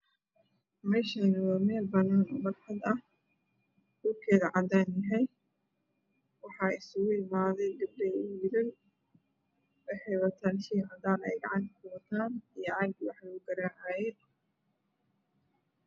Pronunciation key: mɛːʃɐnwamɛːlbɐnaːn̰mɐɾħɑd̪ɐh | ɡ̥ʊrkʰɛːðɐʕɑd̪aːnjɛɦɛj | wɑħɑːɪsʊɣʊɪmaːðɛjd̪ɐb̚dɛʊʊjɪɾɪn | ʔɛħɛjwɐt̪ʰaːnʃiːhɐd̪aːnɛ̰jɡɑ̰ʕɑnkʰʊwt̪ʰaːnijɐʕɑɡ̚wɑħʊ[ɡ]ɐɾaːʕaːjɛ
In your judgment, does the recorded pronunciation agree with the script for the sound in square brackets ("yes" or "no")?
yes